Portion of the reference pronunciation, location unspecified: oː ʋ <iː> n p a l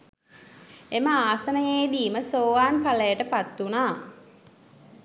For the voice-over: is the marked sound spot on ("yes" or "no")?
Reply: no